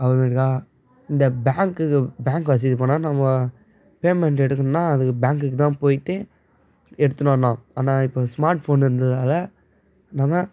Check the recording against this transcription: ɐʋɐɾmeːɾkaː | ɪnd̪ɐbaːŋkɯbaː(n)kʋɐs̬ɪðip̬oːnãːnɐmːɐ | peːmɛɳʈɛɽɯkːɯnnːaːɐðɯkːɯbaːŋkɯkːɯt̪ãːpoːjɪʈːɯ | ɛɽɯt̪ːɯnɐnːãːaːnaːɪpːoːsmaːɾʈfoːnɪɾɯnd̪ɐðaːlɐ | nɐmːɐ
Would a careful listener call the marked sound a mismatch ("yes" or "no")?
yes